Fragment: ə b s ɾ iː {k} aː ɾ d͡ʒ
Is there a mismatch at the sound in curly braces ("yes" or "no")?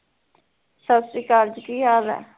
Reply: no